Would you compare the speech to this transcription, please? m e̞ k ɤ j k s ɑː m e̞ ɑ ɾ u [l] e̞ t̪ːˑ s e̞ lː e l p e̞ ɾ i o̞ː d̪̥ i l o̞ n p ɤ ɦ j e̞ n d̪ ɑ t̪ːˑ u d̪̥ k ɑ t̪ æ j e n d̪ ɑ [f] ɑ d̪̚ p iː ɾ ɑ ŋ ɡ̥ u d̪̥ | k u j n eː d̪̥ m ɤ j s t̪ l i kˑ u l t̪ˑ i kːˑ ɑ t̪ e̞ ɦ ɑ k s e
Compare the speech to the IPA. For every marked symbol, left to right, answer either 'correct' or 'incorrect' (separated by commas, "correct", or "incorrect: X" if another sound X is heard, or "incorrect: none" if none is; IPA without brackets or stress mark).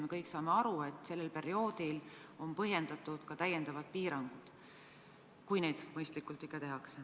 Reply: incorrect: none, incorrect: v